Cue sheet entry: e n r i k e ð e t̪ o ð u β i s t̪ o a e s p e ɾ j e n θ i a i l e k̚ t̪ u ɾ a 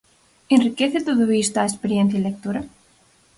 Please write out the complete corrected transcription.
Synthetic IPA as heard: e n r i k e θ e t̪ o ð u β i s t̪ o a e s p e ɾ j e n θ j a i l e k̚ t̪ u ɾ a